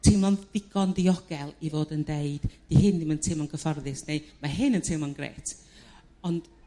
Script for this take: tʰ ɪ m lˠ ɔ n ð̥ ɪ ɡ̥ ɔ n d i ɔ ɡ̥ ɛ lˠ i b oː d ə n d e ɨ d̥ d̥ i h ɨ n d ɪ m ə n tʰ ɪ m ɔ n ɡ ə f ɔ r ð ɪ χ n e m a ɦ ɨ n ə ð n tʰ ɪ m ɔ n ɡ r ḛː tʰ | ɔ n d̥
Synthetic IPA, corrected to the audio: tʰ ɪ m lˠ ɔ n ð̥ ɪ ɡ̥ ɔ n d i ɔ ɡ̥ ɛ lˠ i v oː d ə n d e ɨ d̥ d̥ i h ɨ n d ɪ m ə n tʰ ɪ m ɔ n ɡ ə f ɔ r ð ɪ s n e m a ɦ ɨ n ə n tʰ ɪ m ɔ n ɡ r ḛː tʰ | ɔ n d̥